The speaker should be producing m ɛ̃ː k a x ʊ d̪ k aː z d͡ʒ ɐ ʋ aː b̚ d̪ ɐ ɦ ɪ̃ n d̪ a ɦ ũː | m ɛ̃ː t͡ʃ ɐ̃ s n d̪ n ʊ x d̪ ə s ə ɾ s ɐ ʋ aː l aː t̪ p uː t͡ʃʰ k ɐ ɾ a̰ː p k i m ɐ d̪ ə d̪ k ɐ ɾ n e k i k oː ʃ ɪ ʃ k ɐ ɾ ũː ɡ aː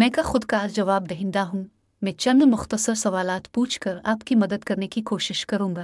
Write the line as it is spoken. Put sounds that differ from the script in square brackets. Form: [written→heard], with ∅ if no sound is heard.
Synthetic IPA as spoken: m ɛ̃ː k a x ʊ d̪ k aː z d͡ʒ ɐ ʋ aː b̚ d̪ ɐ ɦ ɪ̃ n d̪ a ɦ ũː | m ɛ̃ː t͡ʃ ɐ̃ [s→∅] n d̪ [n→m] ʊ x [d̪→t̪] ə s ə ɾ s ɐ ʋ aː l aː t̪ p uː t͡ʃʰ k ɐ ɾ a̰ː p k i m ɐ d̪ ə d̪ k ɐ ɾ n e k i k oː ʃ ɪ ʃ k ɐ ɾ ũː ɡ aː